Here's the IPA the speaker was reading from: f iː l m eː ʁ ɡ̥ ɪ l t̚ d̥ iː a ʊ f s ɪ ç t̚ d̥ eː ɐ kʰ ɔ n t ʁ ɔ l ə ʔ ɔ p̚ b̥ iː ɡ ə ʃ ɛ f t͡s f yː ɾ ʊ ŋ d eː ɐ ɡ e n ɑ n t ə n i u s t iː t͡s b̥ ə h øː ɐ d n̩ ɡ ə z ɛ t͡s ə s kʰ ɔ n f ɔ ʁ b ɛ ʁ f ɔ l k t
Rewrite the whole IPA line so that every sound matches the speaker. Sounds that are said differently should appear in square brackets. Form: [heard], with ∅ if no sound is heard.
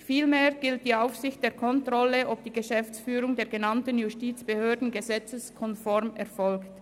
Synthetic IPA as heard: f iː l m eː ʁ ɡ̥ ɪ l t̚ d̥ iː a ʊ f s ɪ ç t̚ d̥ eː ɐ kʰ ɔ n t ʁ ɔ l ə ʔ ɔ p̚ [d̥] iː ɡ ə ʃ ɛ f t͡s f yː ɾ ʊ ŋ d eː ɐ ɡ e n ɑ n t ə n [j] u s t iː t͡s b̥ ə h øː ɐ d n̩ ɡ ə z ɛ t͡s ə s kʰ ɔ n f ɔ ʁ [m] ɛ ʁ f ɔ l k t